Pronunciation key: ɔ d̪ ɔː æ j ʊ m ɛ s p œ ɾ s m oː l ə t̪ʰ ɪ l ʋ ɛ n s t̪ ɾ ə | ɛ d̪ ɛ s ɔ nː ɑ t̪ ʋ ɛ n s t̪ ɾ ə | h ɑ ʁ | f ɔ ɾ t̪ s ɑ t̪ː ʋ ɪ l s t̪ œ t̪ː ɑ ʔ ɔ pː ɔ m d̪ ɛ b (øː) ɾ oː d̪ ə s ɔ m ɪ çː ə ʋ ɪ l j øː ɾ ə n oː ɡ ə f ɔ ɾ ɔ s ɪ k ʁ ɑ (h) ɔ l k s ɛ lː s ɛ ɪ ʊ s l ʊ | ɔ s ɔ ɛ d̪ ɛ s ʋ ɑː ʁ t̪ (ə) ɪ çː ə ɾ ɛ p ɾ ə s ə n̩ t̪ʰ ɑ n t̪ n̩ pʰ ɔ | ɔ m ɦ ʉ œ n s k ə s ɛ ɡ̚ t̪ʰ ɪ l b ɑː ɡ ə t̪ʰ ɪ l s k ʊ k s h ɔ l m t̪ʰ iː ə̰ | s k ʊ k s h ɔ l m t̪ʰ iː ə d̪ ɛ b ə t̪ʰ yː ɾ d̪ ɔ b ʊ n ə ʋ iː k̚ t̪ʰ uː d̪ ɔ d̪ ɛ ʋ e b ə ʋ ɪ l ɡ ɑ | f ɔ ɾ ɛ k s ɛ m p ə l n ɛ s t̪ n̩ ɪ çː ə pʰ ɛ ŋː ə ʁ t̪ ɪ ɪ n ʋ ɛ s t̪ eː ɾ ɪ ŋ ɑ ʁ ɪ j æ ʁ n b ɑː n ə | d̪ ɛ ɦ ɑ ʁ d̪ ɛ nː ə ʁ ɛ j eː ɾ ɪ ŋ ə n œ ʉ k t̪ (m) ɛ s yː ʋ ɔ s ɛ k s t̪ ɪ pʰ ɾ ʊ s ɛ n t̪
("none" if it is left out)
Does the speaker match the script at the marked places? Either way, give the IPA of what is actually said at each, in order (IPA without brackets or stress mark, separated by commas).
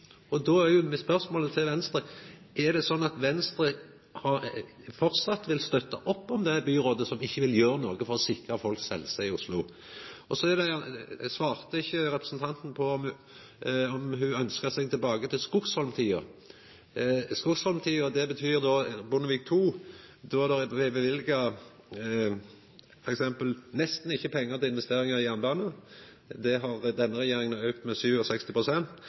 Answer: yː, f, ə, m